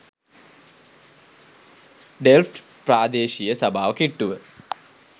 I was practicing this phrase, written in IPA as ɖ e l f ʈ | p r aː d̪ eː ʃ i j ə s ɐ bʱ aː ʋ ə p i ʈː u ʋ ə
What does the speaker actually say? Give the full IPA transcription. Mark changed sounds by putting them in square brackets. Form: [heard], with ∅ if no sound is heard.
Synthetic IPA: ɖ e l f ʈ | p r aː d̪ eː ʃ i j ə s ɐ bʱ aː ʋ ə [k] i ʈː u ʋ ə